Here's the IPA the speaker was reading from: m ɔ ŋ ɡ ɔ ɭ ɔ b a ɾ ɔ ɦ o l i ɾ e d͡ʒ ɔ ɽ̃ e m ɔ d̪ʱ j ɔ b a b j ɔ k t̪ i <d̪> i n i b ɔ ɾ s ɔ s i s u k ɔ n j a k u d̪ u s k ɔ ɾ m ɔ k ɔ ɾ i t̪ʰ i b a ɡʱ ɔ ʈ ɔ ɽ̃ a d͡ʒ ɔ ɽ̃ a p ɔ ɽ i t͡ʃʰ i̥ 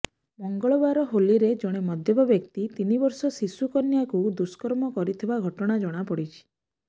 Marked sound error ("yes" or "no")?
yes